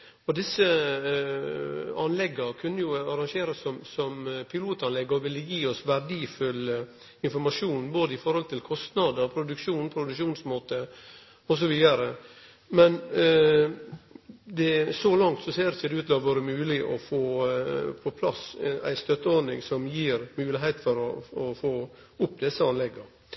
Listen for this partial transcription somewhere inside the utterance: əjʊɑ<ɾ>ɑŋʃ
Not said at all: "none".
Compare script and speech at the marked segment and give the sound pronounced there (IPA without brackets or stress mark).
ɾ